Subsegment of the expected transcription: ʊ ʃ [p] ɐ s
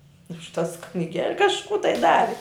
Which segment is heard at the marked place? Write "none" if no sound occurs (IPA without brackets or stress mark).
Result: t